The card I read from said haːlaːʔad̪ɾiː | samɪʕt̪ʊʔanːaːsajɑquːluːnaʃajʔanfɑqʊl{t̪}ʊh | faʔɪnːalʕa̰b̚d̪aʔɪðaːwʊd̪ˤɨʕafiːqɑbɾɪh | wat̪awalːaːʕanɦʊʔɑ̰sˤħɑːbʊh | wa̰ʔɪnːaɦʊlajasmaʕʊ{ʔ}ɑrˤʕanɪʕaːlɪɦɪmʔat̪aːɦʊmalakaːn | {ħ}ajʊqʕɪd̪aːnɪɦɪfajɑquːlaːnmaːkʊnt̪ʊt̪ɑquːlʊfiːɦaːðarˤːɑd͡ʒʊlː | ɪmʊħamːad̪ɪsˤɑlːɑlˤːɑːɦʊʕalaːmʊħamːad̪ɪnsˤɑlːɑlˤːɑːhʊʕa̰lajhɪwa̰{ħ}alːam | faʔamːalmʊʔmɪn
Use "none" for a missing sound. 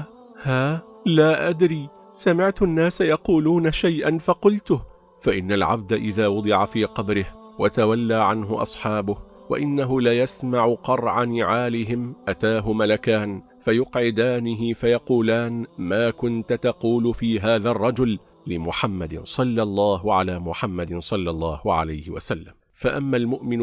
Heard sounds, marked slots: t̪, q, f, s

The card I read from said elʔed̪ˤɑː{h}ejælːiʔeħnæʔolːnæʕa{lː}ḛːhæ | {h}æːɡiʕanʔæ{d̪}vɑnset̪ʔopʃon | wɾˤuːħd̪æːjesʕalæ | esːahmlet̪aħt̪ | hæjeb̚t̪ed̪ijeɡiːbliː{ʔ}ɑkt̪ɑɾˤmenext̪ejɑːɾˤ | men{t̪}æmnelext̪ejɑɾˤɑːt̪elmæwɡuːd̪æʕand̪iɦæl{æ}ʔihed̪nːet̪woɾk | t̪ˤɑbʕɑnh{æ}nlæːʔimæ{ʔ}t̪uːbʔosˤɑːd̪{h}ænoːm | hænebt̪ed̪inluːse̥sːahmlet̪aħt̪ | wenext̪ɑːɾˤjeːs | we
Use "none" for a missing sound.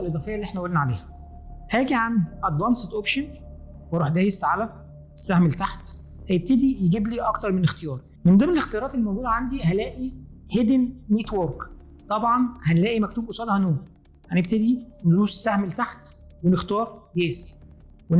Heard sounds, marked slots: f, l, h, d̪, ʔ, d̪, æː, æ, k, h

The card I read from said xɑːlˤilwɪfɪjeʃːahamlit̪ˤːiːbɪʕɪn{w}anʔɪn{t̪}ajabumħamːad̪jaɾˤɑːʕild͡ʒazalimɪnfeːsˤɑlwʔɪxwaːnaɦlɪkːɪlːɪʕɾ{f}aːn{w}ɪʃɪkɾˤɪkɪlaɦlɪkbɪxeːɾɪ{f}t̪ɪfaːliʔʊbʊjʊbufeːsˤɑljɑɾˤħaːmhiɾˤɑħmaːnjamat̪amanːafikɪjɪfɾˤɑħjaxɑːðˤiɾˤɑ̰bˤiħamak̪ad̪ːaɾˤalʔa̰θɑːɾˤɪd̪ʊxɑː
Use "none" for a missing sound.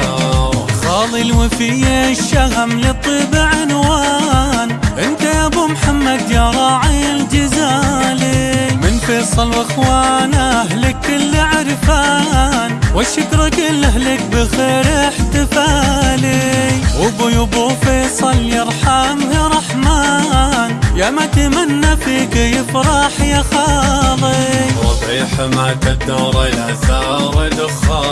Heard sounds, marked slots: w, t̪, f, w, ħ

